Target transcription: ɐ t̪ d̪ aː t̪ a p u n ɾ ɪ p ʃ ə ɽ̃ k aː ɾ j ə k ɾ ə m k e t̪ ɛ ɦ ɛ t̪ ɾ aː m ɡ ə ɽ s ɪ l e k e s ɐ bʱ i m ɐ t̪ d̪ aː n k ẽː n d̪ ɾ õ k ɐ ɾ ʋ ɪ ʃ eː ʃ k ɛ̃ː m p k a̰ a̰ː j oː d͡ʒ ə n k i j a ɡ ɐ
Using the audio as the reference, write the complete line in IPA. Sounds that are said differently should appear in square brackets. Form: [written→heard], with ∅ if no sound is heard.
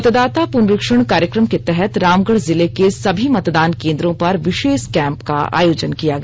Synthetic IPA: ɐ t̪ d̪ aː t̪ a p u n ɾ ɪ [p→k] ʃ ə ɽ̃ k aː ɾ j ə k ɾ ə m k e t̪ ɛ ɦ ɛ t̪ ɾ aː m ɡ ə ɽ [s→z] ɪ l e k e s ɐ bʱ i m ɐ t̪ d̪ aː n k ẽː n d̪ ɾ õ [k→p] ɐ ɾ ʋ ɪ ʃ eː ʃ k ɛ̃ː m p k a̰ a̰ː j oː d͡ʒ ə n k i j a ɡ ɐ